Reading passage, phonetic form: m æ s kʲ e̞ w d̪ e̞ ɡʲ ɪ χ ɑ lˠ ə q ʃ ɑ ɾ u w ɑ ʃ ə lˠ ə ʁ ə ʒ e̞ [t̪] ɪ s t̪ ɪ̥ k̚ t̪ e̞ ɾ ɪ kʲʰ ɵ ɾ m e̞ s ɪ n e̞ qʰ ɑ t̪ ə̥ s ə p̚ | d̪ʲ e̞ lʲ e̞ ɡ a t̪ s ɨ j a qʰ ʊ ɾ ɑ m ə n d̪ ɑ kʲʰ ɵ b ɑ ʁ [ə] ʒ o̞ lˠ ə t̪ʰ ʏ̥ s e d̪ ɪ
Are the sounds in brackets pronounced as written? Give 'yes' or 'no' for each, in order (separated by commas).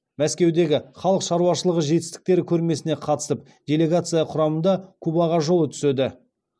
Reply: yes, no